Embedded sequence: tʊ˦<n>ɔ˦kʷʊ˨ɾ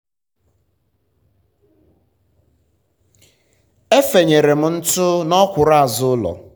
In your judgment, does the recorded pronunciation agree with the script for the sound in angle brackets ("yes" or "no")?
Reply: yes